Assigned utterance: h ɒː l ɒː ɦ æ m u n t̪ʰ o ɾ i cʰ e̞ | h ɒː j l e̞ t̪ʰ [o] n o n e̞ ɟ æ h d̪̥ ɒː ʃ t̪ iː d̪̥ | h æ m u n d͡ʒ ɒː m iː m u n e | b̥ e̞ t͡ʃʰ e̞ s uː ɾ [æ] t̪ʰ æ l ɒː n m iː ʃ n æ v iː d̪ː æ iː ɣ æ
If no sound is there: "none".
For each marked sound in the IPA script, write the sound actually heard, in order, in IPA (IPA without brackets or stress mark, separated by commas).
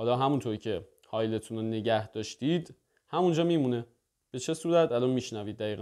u, æ